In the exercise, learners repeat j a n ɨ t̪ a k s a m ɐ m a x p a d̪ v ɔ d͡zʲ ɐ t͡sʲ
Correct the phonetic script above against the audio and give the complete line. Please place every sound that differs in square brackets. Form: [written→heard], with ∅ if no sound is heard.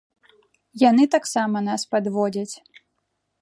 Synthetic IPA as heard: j a n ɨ t̪ a k s a m ɐ [m→n] a [x→s] p a d̪ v ɔ d͡zʲ ɐ t͡sʲ